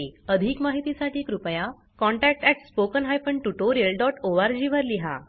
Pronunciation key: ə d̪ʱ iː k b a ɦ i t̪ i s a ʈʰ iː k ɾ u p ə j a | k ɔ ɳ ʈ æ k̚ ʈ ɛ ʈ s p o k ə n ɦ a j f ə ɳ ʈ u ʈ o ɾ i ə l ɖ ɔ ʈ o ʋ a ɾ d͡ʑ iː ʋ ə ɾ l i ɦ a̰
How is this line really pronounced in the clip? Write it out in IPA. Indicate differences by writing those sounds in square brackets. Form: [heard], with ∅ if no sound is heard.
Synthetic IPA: ə d̪ʱ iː k [m] a ɦ i t̪ i s a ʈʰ iː k ɾ u p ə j a | k ɔ ɳ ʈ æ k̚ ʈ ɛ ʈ s p o k ə n ɦ a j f ə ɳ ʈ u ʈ o ɾ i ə l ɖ ɔ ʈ o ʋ a ɾ d͡ʑ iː ʋ ə ɾ l i ɦ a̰